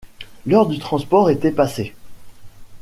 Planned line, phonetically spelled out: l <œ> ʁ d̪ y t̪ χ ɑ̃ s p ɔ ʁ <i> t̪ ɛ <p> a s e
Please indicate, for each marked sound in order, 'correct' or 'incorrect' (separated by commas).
correct, incorrect, correct